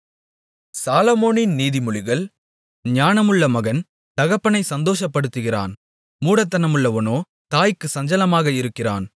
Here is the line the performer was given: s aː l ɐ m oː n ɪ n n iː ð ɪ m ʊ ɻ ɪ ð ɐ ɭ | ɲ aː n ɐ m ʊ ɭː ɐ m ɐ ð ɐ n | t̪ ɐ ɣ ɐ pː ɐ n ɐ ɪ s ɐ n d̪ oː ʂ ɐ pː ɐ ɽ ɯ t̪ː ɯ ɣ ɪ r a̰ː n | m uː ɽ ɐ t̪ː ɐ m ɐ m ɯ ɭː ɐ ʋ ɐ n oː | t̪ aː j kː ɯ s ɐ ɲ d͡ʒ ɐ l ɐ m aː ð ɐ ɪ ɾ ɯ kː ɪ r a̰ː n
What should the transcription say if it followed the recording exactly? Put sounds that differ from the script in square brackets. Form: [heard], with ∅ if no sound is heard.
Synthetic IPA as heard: s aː l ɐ m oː n ɪ n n iː ð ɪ m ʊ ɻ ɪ [ɣ] ɐ ɭ | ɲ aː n ɐ m [ɯ] ɭː ɐ m ɐ [ɣ] ɐ n | t̪ ɐ ɣ ɐ pː ɐ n ɐ ɪ s ɐ n d̪ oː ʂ ɐ pː ɐ ɽ ɯ t̪ː ɯ ɣ ɪ r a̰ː n | m uː ɽ ɐ t̪ː ɐ [n] ɐ m ɯ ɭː ɐ ʋ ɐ n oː | t̪ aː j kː ɯ s ɐ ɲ d͡ʒ ɐ l ɐ m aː [ɣ] ɐ ɪ ɾ ɯ kː ɪ r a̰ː n